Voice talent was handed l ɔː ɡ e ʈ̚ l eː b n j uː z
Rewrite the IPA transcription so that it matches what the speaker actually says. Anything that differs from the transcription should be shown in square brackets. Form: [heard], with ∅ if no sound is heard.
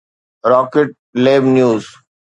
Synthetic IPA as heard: [ɾ] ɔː [k] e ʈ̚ l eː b n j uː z